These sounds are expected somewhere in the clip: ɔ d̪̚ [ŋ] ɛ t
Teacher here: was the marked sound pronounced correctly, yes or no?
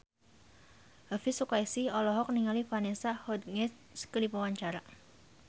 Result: yes